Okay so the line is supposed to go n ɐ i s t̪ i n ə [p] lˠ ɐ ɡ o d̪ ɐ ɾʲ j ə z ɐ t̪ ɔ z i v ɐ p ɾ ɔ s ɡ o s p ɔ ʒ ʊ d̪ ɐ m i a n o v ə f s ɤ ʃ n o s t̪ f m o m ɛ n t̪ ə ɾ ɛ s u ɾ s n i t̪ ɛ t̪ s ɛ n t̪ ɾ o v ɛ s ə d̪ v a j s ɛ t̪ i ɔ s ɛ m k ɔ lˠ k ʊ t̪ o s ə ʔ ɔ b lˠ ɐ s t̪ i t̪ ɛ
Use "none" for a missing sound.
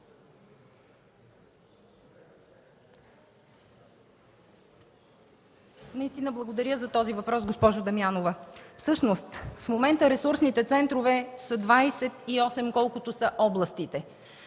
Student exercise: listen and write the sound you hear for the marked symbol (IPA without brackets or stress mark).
b